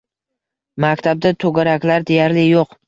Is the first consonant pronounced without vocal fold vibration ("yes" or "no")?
no